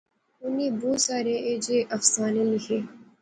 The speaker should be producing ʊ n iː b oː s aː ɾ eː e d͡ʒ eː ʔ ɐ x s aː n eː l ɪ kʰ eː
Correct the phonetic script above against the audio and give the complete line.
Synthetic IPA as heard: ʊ n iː b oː s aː ɾ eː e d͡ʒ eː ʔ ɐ f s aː n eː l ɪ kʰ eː